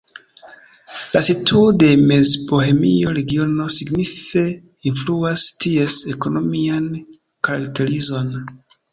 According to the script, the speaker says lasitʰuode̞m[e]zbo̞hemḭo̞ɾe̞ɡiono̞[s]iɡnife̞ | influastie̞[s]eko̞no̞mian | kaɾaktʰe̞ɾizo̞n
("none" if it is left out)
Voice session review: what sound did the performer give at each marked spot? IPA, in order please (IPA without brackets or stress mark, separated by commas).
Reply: e, s, s